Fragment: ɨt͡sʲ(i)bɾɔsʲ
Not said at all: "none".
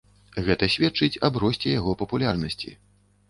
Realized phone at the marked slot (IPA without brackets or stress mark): a